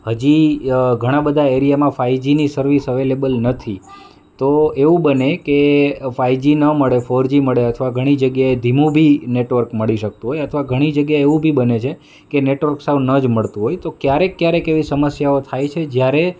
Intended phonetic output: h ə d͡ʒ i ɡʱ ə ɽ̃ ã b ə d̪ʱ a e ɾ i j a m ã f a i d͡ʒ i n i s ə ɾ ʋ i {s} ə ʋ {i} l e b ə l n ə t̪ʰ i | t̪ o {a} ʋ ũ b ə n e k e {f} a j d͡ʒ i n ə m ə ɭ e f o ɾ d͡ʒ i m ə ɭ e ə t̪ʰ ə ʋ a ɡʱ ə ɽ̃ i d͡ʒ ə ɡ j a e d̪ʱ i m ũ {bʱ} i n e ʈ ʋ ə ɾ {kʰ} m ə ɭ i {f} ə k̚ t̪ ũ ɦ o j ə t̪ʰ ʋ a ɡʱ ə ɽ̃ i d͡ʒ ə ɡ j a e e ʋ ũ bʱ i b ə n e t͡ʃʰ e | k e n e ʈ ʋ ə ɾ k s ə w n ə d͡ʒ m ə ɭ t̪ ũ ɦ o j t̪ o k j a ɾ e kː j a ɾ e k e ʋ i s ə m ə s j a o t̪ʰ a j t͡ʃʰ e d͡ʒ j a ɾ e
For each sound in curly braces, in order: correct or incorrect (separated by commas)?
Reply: correct, incorrect, incorrect, correct, correct, incorrect, incorrect